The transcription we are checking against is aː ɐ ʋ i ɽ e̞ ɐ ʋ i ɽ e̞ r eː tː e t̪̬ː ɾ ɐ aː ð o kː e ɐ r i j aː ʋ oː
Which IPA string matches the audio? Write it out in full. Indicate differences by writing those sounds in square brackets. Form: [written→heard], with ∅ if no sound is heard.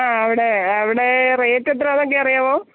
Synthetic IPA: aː ɐ ʋ i ɽ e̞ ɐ ʋ i ɽ e̞ r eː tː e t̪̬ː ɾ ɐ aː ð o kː e ɐ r i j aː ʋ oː